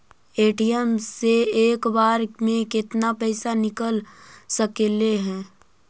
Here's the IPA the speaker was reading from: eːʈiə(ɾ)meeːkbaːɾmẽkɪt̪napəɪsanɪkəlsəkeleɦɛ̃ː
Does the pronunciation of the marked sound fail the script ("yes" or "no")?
yes